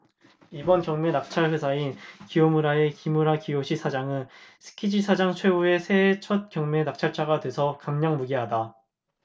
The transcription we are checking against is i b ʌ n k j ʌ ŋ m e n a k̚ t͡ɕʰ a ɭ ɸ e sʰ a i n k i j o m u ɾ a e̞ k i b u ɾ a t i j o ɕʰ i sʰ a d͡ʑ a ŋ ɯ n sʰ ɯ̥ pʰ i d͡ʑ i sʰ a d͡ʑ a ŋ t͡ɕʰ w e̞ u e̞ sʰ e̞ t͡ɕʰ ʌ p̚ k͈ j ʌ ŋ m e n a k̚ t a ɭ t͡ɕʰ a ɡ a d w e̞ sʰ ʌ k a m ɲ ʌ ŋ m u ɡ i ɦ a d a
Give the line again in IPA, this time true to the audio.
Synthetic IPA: i b ʌ n k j ʌ ŋ m e n a k̚ t͡ɕʰ a ɭ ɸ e sʰ a i n k i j o m u ɾ a e̞ k i m u ɾ a k i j o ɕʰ i sʰ a d͡ʑ a ŋ ɯ n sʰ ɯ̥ kʰ i d͡ʑ i sʰ a d͡ʑ a ŋ t͡ɕʰ w e̞ u e̞ sʰ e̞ t͡ɕʰ ʌ t̚ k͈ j ʌ ŋ m e n a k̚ t͡ɕʰ a ɭ t͡ɕʰ a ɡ a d w e̞ sʰ ʌ k a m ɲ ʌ ŋ m u ɡ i ɦ a d a

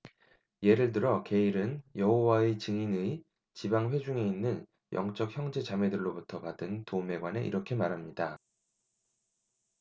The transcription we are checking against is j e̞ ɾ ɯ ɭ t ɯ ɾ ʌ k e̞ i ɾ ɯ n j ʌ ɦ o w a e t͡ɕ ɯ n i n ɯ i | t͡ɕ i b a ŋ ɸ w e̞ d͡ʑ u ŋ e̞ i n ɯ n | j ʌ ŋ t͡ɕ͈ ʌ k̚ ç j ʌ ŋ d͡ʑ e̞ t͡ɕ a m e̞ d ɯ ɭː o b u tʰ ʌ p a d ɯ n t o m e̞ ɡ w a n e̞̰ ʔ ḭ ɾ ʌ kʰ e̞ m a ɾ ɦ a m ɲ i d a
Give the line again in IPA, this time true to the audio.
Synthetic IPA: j e̞ ɾ ɯ ɭ t ɯ ɾ ʌ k e̞ i ɾ ɯ n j ʌ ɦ o w a e t͡ɕ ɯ ŋ i n ɯ i | t͡ɕ i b a ŋ ɸ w e̞ d͡ʑ u ŋ e̞ i nː ɯ n | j ʌ ŋ t͡ɕ͈ ʌ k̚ ç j ʌ ŋ d͡ʑ e̞ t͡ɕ a m e̞ d ɯ ɭː o b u tʰ ʌ p a d ɯ n t o m e̞ ɡ w a n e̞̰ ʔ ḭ ɾ ʌ kʰ e̞ m a ɾ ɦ a m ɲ i d a

